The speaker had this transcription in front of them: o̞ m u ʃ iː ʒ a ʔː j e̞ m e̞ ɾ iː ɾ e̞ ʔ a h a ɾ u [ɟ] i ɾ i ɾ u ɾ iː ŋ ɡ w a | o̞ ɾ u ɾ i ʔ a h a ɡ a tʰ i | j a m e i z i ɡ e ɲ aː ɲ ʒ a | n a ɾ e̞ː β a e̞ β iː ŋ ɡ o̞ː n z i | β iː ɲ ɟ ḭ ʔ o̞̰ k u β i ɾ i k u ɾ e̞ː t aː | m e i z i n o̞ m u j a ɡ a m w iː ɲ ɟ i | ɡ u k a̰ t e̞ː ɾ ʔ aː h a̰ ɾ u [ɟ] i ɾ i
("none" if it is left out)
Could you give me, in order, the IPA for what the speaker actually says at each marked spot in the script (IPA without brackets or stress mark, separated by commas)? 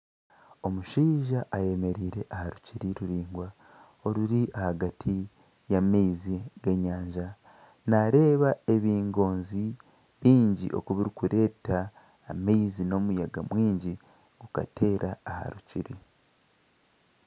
c, c